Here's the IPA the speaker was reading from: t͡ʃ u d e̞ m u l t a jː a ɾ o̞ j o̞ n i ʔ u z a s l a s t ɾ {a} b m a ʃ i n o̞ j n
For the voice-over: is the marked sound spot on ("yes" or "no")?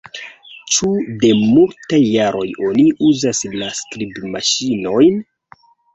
no